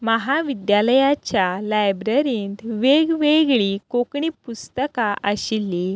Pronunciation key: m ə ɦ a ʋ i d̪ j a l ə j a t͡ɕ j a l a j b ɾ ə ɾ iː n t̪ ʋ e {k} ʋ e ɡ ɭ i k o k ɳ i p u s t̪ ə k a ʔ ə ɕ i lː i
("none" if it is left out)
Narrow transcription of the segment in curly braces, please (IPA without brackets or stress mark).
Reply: ɡ